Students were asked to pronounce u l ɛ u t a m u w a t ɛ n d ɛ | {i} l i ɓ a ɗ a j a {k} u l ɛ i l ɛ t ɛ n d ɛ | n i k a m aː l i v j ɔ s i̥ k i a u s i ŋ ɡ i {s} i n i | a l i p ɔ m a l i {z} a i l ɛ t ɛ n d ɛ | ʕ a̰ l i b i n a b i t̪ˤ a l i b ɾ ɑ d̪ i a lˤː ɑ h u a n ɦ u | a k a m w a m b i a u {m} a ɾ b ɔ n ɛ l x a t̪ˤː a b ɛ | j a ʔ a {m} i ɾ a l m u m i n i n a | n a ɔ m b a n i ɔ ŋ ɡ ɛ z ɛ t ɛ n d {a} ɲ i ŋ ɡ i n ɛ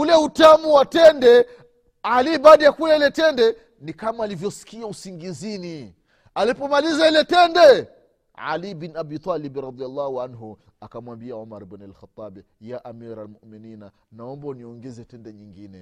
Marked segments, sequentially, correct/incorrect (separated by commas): incorrect, correct, incorrect, correct, correct, correct, incorrect